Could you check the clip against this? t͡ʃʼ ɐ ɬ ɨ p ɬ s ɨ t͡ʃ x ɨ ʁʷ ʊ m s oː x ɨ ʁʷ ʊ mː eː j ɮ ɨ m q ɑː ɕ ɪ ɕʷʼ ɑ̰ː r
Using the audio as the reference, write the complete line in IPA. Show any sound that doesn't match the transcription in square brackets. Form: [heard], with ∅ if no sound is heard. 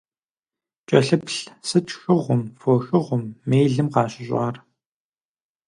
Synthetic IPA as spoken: t͡ʃʼ ɐ ɬ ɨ p ɬ s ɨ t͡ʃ x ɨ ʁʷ ʊ m [f] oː x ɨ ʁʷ ʊ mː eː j ɮ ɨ m q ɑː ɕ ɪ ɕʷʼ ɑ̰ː r